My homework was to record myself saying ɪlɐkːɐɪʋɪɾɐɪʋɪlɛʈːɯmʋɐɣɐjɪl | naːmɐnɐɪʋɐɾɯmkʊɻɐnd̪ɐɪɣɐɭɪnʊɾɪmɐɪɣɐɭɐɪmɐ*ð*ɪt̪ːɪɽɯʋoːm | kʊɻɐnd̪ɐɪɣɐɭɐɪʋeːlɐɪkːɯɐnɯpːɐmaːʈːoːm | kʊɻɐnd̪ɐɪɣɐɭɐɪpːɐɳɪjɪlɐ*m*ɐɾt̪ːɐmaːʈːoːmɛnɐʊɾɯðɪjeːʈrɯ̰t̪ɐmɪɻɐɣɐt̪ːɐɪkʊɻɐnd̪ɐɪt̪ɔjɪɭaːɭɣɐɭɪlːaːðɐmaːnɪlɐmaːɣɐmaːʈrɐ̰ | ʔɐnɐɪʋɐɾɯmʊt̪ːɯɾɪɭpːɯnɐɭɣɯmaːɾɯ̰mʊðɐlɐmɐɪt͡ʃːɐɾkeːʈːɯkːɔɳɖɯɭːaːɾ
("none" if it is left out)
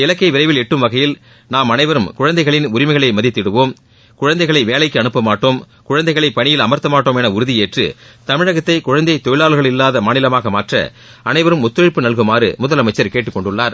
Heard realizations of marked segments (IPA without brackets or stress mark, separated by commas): ð, m